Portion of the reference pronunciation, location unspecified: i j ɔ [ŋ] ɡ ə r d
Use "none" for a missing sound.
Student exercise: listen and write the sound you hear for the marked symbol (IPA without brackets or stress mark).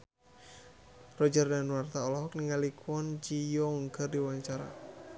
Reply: ŋ